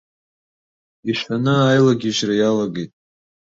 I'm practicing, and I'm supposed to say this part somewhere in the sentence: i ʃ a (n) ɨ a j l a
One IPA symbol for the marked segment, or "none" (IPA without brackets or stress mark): n